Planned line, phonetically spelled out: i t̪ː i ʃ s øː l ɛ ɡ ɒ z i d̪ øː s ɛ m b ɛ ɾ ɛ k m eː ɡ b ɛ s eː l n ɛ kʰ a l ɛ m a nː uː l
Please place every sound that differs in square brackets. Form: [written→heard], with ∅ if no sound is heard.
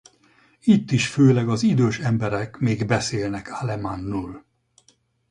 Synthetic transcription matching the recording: i t̪ː i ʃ [s→f] øː l ɛ ɡ ɒ z i d̪ øː [s→ʃ] ɛ m b ɛ ɾ ɛ k m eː ɡ b ɛ s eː l n ɛ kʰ a l ɛ m a nː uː l